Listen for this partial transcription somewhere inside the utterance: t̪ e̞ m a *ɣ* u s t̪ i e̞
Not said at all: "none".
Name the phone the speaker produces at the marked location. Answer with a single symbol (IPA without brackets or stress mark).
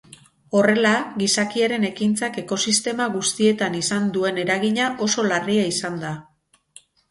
ɣ